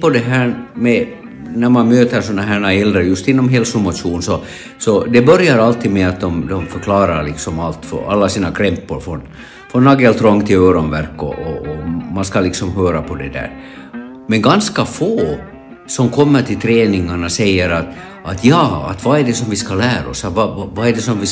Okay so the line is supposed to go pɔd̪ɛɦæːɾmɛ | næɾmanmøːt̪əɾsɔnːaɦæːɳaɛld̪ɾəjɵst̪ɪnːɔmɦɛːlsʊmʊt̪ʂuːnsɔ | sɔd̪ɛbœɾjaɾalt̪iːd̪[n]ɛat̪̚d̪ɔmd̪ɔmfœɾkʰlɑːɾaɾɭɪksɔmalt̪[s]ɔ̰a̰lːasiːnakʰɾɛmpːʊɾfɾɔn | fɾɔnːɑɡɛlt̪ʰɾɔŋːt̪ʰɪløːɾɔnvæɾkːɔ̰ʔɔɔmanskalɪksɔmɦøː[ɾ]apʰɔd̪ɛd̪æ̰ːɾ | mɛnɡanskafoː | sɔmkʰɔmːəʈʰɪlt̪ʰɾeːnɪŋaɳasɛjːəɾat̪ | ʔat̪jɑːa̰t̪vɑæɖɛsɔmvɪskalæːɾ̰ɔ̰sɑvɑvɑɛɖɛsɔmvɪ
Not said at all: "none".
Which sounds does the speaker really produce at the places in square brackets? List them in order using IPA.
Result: m, f, ɾ

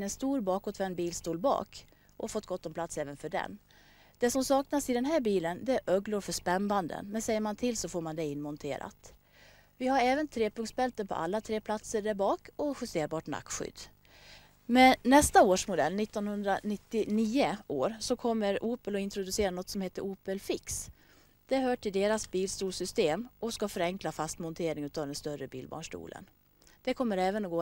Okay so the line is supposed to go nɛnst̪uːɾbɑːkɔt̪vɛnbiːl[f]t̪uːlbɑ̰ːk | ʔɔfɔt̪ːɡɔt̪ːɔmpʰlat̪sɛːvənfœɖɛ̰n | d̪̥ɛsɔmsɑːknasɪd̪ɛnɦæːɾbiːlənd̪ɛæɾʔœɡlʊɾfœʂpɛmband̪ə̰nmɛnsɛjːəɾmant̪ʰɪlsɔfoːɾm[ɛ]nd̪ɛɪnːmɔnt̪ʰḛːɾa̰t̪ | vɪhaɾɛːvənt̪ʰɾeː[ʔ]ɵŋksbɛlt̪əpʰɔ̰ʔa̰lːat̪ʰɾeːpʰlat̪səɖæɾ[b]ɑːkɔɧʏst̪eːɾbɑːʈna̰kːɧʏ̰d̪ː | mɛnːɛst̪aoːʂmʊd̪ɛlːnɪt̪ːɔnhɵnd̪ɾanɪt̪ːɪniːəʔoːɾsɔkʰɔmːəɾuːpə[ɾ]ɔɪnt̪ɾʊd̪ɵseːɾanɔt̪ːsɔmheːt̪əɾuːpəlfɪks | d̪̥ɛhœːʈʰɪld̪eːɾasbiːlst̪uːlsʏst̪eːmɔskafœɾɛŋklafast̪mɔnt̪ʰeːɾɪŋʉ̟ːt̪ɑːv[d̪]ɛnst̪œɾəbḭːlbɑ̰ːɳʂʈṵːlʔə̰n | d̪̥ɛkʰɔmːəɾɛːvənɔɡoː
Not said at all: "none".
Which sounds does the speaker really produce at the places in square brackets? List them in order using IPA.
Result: s, a, p, b, l, d̪

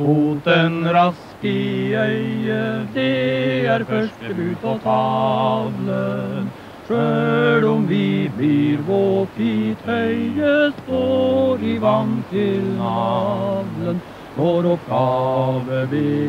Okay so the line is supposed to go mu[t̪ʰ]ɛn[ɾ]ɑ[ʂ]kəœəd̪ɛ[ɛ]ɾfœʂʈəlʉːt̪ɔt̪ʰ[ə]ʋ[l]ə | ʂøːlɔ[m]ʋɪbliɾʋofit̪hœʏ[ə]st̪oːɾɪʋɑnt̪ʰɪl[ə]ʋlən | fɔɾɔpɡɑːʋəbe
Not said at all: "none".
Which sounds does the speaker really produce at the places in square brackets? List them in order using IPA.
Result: t̪, ɾ, s, æ, ɑ, l, m, ə, ɑ

